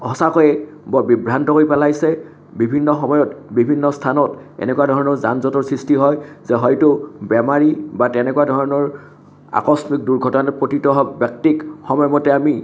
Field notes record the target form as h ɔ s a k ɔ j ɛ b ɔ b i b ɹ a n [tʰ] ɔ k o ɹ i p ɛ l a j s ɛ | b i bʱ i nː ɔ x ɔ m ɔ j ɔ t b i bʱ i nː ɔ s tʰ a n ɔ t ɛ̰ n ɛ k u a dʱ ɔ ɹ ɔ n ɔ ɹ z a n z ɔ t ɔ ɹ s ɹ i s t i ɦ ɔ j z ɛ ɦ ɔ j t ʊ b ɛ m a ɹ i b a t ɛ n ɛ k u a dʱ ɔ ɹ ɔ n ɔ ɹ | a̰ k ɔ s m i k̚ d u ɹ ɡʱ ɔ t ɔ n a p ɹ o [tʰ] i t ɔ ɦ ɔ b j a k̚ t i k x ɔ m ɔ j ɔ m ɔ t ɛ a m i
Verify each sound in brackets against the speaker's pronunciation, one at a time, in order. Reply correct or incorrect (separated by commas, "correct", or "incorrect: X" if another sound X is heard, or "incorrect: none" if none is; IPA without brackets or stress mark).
incorrect: t, incorrect: t